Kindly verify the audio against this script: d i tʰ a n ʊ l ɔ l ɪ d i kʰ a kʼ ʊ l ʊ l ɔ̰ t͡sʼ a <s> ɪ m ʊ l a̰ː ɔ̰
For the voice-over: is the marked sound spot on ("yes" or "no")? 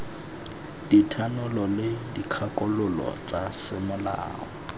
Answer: yes